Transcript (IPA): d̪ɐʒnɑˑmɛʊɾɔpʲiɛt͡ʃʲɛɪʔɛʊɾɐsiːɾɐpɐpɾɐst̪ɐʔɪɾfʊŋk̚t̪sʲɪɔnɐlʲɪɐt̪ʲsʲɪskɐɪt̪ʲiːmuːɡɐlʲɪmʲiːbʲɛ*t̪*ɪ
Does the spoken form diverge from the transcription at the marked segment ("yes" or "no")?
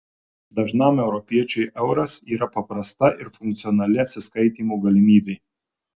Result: yes